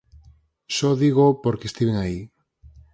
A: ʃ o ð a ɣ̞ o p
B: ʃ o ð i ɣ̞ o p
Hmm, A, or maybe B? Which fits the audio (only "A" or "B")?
B